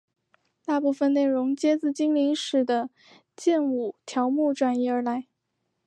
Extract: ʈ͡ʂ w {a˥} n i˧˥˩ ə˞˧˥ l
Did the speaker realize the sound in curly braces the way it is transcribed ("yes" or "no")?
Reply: no